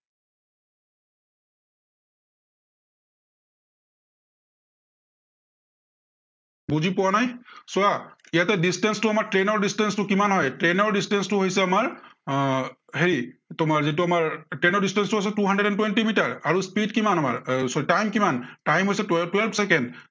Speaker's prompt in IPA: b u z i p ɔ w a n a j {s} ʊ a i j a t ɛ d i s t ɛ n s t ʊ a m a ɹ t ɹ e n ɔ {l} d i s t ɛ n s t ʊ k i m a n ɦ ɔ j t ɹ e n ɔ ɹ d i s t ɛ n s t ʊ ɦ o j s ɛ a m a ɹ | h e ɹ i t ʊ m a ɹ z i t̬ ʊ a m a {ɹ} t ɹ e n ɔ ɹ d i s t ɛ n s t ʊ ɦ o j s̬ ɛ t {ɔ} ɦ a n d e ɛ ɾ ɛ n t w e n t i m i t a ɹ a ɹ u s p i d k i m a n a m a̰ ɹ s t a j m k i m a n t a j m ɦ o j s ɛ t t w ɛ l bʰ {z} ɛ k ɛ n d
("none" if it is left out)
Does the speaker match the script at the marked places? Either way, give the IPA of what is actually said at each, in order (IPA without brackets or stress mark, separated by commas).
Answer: s, ɹ, ɹ, u, s